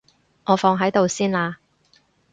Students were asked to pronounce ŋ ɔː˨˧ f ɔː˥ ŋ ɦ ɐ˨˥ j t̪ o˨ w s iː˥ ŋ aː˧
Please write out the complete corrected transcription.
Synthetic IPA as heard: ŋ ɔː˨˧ f ɔː˧ ŋ ɦ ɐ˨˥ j t̪ o˨ w s iː˥ n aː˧